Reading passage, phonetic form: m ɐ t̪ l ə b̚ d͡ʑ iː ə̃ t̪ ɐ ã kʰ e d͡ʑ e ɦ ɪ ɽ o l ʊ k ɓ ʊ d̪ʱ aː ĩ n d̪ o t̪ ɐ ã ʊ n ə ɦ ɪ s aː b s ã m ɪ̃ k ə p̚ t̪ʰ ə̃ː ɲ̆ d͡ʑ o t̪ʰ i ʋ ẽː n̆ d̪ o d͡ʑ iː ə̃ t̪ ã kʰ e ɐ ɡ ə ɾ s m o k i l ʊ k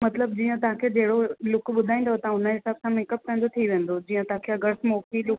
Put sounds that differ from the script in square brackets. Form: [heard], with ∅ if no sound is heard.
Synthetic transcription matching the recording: m ɐ t̪ l ə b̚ d͡ʑ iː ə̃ t̪ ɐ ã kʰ e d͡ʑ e ɦ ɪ ɽ o l ʊ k ɓ ʊ d̪ʱ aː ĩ n d̪ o t̪ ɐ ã ʊ n ə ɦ ɪ s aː b s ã m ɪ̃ k ə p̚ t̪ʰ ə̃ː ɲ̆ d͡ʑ o t̪ʰ i ʋ ẽː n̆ d̪ o d͡ʑ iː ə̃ t̪ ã kʰ e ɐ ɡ ə ɾ s m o k i l ʊ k